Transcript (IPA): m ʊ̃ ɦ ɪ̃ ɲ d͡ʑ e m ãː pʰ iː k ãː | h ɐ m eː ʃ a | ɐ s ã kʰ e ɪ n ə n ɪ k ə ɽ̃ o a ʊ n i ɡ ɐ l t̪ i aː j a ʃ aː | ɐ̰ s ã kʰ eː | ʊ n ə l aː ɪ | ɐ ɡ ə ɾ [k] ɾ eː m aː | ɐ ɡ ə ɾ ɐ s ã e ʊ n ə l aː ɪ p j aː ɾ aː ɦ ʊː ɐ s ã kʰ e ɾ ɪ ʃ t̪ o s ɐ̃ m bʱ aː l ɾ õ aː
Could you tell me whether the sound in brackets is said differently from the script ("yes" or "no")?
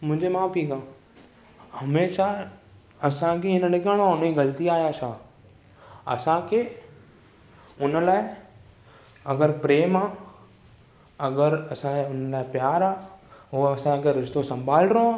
yes